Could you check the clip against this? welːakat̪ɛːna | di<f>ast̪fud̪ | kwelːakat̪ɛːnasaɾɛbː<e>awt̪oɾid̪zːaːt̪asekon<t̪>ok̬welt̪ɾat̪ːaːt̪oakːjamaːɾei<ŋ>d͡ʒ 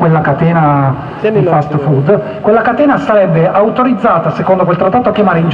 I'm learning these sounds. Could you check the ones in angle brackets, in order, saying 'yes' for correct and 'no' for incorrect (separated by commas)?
yes, yes, no, no